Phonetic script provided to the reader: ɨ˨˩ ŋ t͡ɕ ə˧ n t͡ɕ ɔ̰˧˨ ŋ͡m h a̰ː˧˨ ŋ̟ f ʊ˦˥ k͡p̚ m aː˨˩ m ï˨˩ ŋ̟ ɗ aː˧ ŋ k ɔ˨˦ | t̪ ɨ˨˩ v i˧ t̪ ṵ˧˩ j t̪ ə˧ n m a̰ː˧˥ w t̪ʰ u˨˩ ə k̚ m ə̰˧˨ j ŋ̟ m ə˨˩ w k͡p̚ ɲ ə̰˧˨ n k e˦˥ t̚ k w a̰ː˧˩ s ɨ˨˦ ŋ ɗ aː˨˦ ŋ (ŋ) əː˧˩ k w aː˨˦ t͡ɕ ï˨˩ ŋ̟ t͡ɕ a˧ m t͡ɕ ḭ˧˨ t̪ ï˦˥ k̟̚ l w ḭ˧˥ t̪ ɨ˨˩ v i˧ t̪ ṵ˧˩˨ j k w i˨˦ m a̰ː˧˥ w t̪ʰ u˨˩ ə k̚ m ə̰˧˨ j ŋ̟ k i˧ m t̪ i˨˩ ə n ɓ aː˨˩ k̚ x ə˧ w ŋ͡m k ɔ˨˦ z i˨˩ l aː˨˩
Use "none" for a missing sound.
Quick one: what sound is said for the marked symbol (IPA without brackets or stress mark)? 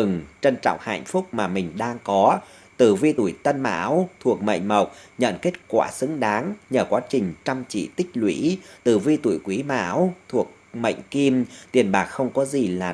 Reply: ɲ